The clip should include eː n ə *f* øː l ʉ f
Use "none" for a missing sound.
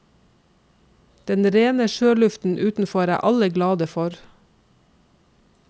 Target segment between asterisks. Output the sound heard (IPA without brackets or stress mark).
ʃ